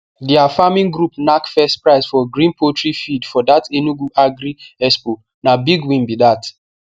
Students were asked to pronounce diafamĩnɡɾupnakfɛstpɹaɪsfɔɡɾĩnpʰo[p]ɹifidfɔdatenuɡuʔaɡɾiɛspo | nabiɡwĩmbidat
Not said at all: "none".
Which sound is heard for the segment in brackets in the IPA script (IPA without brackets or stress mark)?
t